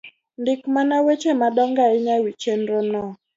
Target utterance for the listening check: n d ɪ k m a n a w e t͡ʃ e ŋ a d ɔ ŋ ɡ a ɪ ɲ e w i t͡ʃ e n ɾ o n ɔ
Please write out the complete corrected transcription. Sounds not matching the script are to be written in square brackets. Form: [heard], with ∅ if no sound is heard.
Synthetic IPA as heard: n d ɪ k m a n a w e t͡ʃ e [m] a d ɔ ŋ ɡ a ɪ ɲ [a] w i t͡ʃ e n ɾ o n ɔ